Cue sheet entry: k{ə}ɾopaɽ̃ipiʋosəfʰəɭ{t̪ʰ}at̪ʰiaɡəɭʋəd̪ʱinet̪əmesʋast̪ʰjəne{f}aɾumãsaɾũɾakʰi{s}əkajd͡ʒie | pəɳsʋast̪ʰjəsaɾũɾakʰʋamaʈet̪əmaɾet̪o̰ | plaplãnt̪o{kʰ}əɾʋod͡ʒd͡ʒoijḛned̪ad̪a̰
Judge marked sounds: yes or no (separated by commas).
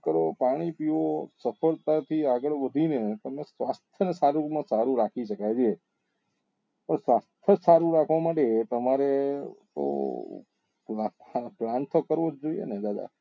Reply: yes, no, no, no, no